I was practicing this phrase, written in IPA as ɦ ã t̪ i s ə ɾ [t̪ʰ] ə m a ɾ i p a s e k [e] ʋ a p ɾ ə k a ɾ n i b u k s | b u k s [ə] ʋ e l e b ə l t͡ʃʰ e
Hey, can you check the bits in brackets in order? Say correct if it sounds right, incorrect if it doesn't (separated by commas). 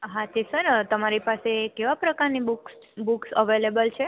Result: incorrect, correct, correct